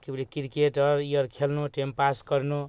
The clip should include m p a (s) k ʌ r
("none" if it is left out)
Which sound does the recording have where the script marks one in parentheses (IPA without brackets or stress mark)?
s